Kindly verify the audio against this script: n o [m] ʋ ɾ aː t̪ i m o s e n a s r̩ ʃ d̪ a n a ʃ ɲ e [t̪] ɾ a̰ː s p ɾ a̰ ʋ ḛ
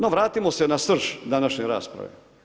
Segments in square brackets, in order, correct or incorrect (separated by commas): incorrect, incorrect